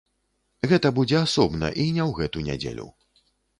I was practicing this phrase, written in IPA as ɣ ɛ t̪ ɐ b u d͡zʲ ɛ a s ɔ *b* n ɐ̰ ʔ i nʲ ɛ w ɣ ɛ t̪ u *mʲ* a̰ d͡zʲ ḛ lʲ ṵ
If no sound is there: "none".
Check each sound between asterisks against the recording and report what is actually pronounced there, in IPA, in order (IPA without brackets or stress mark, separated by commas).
b, nʲ